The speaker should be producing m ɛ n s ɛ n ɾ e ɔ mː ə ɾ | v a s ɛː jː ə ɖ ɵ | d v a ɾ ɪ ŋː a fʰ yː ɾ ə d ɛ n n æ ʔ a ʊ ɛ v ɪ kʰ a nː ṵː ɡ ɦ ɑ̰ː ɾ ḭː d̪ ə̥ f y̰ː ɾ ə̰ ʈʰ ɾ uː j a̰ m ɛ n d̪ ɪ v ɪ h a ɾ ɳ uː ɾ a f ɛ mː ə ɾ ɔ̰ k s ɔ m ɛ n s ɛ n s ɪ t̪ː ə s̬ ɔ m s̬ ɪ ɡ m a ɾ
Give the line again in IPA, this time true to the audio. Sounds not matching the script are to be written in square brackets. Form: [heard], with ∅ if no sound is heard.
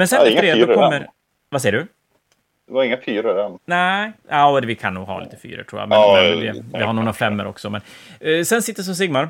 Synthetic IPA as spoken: m ɛ n s ɛ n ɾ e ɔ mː ə ɾ | v a s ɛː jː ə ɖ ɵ | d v a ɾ ɪ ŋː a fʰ yː ɾ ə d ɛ n n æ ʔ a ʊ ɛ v ɪ kʰ a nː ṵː ɡ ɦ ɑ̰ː [l] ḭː [t̪] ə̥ f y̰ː ɾ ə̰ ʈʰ ɾ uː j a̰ m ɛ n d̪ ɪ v ɪ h a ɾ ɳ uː ɾ a f ɛ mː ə ɾ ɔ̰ k s ɔ m ɛ n s ɛ n s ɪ t̪ː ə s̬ ɔ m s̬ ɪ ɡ m a ɾ